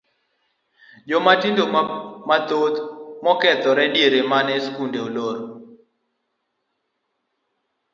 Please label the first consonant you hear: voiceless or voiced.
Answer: voiced